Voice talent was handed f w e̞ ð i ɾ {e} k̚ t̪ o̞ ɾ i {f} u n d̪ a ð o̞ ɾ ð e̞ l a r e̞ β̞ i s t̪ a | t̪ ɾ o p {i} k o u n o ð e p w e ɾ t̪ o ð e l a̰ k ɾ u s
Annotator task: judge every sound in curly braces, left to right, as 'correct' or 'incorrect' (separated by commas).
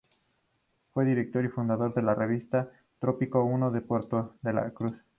correct, correct, correct